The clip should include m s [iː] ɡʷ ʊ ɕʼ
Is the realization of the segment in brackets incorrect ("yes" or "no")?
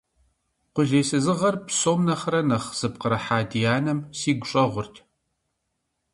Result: no